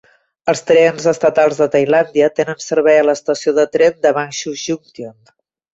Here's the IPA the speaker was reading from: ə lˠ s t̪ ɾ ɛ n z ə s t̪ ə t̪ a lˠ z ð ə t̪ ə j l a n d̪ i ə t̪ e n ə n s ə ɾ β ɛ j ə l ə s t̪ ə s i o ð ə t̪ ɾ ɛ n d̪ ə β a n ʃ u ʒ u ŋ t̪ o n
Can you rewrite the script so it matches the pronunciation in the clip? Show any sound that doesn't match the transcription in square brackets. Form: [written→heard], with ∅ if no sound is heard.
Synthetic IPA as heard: ə lˠ s t̪ ɾ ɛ n z ə s t̪ ə t̪ a lˠ z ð ə t̪ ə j l a n d̪ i ə t̪ e n ə n s ə ɾ β ɛ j ə l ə s t̪ ə s i o ð ə t̪ ɾ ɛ n d̪ ə β a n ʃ u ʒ u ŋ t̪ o n